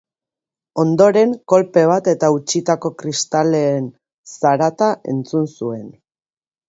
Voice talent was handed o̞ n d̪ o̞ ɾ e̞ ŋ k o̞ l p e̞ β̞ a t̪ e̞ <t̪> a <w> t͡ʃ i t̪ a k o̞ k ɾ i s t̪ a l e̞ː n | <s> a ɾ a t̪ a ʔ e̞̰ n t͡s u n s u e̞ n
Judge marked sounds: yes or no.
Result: yes, no, yes

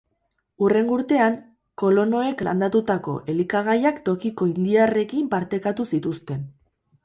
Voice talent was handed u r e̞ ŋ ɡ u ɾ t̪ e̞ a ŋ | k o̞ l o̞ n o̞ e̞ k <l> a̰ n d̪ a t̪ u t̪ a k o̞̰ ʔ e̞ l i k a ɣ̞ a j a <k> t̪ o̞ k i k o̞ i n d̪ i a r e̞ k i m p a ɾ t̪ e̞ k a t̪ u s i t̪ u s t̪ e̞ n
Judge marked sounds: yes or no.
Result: yes, yes

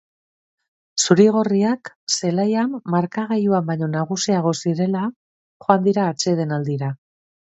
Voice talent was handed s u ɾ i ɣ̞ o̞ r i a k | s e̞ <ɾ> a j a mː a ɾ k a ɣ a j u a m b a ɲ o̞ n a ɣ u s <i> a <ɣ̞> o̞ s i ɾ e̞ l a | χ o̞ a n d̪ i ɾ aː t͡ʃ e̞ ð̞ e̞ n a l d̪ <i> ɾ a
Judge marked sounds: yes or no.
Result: no, yes, yes, yes

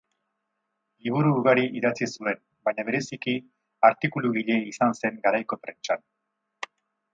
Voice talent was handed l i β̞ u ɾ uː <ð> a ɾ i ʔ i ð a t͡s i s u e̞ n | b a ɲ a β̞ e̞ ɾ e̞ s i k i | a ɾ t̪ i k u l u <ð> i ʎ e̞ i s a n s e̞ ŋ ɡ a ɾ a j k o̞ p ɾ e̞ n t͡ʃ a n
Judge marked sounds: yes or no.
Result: no, no

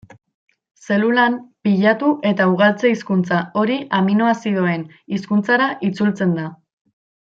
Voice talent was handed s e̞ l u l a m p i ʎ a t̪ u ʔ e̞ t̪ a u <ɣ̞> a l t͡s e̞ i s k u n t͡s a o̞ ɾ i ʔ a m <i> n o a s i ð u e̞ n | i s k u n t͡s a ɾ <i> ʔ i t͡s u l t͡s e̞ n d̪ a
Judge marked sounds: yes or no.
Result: yes, yes, no

